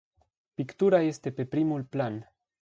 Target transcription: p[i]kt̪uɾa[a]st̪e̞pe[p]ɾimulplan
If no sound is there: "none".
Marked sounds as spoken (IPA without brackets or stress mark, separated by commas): i, e, p